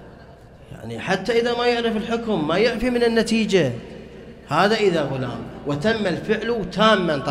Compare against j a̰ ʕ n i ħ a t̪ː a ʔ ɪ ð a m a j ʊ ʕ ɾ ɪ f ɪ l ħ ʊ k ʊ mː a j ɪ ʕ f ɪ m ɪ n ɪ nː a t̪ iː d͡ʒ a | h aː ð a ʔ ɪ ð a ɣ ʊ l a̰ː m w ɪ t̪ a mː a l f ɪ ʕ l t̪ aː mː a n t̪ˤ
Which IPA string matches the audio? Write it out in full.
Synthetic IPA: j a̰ ʕ n i ħ a t̪ː a ʔ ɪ ð a m a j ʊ ʕ ɾ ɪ f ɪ l ħ ʊ k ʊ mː a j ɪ ʕ f i m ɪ n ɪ nː a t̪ iː d͡ʒ a | h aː ð a ʔ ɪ ð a ɣ ʊ l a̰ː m w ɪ t̪ a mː a l f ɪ ʕ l t̪ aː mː a n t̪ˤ